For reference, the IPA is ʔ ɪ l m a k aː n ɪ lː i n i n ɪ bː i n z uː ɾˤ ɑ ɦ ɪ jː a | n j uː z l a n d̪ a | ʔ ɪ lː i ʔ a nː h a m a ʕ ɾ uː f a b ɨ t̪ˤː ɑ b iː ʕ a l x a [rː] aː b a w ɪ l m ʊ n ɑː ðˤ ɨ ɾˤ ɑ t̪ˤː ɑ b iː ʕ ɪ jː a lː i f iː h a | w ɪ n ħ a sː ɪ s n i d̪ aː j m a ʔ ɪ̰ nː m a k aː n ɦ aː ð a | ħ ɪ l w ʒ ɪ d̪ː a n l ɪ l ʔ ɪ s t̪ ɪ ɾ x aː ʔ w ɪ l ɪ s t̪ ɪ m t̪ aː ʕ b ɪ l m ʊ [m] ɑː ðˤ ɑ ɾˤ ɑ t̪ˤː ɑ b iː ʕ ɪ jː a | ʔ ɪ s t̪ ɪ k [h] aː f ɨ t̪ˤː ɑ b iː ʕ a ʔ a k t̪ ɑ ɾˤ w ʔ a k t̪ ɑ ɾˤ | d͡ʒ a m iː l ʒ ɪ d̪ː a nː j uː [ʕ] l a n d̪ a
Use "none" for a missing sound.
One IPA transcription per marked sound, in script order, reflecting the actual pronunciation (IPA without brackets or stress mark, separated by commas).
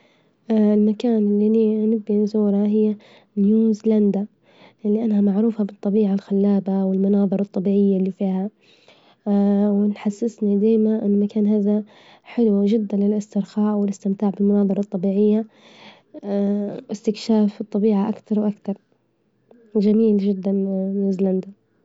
lː, n, ʃ, z